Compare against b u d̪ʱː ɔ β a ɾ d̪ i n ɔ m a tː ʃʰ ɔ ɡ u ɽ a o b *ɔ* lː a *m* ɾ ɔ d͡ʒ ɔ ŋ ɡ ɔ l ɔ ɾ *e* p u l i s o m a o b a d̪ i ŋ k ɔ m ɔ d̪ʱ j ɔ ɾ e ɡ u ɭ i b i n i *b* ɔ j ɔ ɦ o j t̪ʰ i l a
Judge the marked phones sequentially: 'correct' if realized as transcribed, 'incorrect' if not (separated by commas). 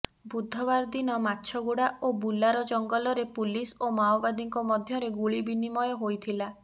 incorrect, incorrect, correct, incorrect